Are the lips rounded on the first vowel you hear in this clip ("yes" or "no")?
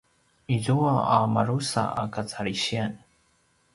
no